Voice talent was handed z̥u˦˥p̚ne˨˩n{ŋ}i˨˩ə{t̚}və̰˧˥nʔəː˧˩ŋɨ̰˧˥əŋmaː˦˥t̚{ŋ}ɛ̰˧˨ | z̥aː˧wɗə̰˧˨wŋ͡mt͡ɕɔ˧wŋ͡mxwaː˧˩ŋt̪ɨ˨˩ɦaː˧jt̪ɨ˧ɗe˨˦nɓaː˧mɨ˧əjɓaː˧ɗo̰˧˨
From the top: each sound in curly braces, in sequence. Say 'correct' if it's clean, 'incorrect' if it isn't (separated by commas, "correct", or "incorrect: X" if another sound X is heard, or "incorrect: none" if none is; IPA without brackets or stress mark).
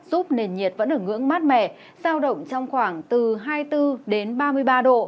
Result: incorrect: ɲ, correct, incorrect: m